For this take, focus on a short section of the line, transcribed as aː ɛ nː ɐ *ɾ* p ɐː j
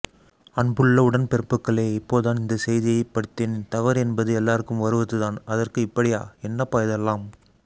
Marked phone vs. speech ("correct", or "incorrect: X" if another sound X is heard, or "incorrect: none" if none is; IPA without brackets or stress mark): incorrect: none